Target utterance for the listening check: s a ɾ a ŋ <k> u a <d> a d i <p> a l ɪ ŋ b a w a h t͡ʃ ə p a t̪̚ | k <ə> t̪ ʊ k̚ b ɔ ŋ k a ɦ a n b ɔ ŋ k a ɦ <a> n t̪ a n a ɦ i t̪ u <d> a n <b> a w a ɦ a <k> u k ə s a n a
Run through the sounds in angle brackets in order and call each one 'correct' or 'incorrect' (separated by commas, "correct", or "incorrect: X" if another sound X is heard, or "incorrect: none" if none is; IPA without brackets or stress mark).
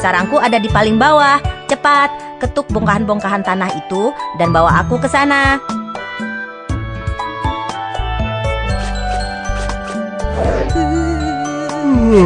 correct, correct, correct, correct, correct, correct, correct, correct